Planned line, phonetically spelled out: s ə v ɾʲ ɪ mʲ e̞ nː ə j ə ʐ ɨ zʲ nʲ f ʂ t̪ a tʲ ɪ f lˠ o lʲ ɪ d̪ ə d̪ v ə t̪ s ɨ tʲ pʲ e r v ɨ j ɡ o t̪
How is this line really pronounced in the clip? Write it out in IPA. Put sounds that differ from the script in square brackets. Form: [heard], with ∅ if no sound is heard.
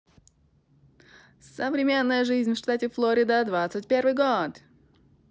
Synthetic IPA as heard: s ə v ɾʲ ɪ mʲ e̞ nː ə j ə ʐ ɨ zʲ nʲ f ʂ t̪ a tʲ ɪ f lˠ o [ɾʲ] ɪ d̪ ə d̪ v [a] t̪ s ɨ tʲ pʲ e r v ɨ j ɡ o t̪